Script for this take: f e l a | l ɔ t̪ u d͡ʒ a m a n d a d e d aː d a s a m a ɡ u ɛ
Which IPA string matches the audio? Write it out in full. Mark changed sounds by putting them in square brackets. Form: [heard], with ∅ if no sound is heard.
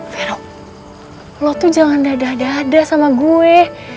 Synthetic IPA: f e [ɾ] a | l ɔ t̪ u d͡ʒ a [ŋ] a n d a d [a] d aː d a s a m a ɡ u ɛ